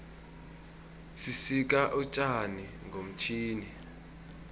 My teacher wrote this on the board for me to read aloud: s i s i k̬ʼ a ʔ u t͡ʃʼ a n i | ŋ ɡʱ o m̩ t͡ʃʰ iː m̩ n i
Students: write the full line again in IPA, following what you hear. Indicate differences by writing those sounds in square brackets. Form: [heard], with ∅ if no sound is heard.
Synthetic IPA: s i s i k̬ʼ a ʔ u t͡ʃʼ a n i | ŋ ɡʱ o m̩ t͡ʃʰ iː [∅] n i